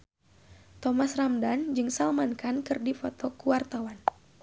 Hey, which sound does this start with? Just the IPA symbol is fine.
t̪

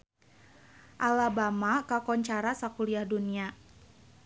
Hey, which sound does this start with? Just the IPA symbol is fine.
ʔ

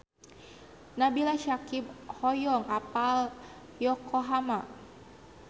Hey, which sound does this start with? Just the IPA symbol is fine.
n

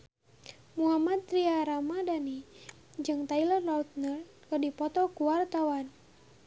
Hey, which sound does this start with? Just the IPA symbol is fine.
m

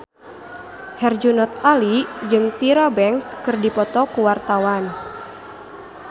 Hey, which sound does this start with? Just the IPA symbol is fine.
h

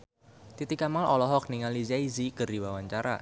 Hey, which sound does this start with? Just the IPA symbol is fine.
t̪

